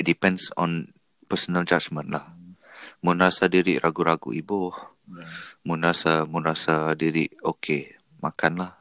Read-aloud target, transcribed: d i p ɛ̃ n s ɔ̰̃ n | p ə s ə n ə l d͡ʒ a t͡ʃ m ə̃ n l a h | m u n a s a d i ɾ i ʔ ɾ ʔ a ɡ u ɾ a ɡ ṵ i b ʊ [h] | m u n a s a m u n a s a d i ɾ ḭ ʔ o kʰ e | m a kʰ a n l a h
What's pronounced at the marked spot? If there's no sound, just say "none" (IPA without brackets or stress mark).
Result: h